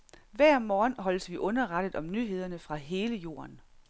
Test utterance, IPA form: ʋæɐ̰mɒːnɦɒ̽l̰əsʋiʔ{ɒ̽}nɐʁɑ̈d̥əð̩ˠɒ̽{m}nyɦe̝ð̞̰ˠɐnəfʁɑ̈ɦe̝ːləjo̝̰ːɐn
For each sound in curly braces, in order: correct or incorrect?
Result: incorrect: ɔ̽, correct

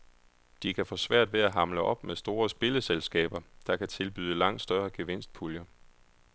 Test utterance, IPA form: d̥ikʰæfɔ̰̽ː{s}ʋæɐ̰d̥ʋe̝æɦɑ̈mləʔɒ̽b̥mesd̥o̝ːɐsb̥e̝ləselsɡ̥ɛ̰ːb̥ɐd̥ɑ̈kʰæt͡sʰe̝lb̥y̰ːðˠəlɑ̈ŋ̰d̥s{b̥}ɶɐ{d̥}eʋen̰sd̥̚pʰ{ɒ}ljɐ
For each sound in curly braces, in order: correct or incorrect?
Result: correct, incorrect: d̥, incorrect: ɡ̥, incorrect: u

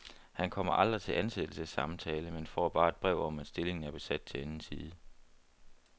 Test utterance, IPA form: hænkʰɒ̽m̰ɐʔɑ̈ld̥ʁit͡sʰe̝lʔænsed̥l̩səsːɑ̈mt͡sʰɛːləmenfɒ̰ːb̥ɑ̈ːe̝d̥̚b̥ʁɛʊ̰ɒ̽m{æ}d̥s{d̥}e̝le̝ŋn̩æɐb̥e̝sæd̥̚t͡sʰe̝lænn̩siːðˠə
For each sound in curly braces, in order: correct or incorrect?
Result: correct, correct

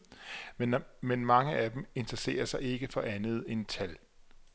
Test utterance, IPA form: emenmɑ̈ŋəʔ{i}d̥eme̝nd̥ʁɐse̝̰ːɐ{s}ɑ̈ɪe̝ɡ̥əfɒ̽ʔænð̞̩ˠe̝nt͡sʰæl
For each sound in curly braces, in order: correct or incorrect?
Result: incorrect: æ, correct

